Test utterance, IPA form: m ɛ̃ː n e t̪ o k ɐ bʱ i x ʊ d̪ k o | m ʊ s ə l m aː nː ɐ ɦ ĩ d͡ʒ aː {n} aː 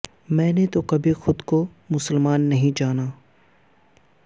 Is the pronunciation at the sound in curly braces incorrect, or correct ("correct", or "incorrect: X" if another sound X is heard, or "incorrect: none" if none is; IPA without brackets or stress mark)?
correct